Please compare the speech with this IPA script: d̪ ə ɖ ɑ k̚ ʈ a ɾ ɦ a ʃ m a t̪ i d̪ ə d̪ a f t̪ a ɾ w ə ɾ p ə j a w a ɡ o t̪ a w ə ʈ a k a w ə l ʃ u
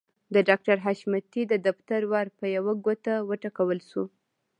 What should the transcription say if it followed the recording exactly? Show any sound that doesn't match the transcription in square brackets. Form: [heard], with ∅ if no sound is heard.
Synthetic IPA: d̪ ə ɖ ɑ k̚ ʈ a ɾ ɦ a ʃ m a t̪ i d̪ ə d̪ a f t̪ a ɾ w [ɑ] ɾ p ə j a w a ɡ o t̪ a w ə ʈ a k a w ə l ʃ u